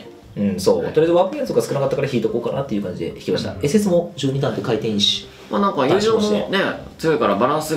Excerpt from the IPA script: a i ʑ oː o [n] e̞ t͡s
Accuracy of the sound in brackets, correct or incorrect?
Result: correct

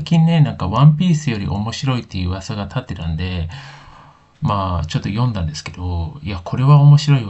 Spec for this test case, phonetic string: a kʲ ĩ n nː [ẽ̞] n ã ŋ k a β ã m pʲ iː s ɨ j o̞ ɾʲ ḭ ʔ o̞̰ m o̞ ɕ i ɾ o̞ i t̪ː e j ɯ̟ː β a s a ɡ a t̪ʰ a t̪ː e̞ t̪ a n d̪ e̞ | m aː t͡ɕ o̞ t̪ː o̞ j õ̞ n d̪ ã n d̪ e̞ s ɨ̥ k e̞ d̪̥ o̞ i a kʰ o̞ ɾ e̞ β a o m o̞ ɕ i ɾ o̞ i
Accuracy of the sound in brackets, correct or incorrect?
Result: incorrect: e̞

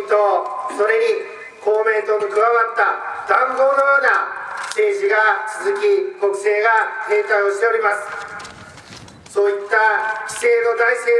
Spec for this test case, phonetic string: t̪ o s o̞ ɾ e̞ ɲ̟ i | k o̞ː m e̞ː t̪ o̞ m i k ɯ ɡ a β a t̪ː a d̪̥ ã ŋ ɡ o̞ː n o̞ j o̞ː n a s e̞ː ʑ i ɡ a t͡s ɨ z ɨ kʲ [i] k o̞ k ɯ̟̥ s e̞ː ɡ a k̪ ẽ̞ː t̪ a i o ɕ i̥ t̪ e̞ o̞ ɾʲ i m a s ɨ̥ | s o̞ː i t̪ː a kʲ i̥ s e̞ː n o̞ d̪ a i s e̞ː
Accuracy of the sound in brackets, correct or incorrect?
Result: correct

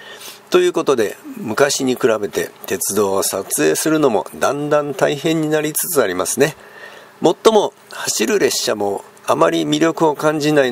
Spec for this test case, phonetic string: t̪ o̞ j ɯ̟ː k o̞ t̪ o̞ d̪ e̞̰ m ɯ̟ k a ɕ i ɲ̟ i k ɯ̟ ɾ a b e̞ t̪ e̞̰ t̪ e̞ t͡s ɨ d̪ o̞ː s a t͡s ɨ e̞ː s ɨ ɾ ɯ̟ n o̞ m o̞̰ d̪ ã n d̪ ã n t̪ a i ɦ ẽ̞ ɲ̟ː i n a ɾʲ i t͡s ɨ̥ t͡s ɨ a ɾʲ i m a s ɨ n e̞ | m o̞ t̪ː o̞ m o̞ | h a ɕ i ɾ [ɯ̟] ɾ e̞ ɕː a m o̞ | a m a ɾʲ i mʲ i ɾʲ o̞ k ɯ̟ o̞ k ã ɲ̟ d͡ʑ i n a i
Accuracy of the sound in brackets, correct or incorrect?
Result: correct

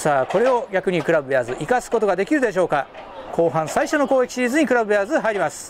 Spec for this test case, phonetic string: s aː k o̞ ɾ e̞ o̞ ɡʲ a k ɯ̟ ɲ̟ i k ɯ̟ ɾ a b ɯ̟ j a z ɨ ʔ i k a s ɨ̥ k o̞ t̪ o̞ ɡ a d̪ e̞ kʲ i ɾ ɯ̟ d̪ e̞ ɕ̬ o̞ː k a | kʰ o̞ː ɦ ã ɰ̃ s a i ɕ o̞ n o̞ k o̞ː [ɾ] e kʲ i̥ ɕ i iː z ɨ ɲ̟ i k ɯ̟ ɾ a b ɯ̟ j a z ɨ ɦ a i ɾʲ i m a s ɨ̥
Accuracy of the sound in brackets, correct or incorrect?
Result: incorrect: none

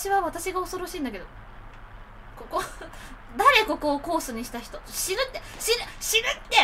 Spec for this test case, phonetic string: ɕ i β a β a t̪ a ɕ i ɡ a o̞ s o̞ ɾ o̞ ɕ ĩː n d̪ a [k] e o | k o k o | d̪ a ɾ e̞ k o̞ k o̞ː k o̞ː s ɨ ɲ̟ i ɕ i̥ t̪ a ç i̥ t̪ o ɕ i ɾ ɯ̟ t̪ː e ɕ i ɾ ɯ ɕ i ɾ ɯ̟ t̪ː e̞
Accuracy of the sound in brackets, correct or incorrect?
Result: correct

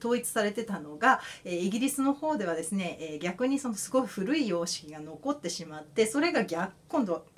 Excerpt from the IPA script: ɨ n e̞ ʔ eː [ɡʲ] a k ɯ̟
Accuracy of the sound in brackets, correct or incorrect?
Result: correct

